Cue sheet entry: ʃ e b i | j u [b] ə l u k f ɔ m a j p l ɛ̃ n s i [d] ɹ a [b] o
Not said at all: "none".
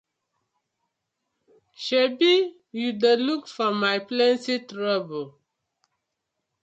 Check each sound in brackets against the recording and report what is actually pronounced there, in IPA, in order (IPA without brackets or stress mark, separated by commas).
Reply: d, t, b